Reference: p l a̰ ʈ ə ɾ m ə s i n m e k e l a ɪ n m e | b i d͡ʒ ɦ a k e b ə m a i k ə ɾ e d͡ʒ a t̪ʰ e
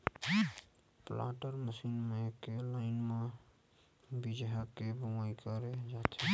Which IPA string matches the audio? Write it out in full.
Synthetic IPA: p l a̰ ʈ ə ɾ m ə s i n m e k e l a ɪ n m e | b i d͡ʒ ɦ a k e b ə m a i k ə ɾ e d͡ʒ a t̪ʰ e

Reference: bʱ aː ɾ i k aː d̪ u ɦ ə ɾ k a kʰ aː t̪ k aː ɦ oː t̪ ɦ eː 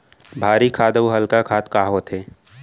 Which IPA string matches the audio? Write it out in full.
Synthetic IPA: bʱ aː ɾ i kʰ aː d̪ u ɦ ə l k a kʰ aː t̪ k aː ɦ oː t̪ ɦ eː

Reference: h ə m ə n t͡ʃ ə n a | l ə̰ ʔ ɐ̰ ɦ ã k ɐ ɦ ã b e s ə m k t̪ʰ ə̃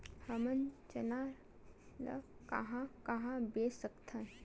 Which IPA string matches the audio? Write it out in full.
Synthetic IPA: h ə m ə n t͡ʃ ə n a | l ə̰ k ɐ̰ ɦ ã k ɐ ɦ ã b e s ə k t̪ʰ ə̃

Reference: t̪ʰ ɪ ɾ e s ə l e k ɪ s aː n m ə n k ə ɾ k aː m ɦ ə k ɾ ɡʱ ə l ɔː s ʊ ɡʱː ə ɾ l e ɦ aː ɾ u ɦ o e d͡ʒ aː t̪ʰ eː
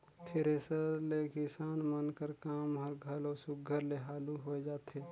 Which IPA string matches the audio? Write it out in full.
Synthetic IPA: t̪ʰ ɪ ɾ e s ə l e k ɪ s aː n m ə n k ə ɾ k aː m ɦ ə ɾ ɡʱ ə l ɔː s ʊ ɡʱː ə ɾ l e ɦ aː l u ɦ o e d͡ʒ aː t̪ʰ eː

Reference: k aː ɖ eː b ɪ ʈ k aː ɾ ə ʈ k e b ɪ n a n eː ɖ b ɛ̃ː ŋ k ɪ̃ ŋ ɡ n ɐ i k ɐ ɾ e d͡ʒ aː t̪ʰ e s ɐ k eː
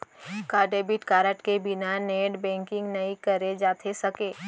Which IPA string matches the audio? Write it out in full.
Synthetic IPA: k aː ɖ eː b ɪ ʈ k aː ɾ ə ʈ k e b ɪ n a n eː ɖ b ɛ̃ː ŋ k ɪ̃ ŋ ɡ n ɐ i k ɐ ɾ e d͡ʒ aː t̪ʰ e s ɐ k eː

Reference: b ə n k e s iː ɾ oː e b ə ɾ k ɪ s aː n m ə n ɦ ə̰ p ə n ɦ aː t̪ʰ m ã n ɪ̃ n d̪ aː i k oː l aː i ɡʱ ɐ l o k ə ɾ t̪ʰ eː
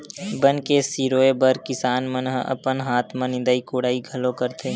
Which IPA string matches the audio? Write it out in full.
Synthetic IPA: b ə n k e s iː ɾ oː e b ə ɾ k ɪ s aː n m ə n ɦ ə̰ p ə n ɦ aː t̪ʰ m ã n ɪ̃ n d̪ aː i k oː ɽ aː i ɡʱ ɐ l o k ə ɾ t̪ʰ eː

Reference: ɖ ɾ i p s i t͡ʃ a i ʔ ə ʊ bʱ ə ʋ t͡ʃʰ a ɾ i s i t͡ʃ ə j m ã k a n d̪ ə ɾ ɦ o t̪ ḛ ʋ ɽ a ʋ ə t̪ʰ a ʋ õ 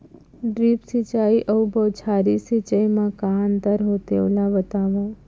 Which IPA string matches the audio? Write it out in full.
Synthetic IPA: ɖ ɾ i p s i t͡ʃ a i ʔ ə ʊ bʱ ə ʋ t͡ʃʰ a ɾ i s i t͡ʃ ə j m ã k a n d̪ ə ɾ ɦ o t̪ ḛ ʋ l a ʋ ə t̪ a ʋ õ

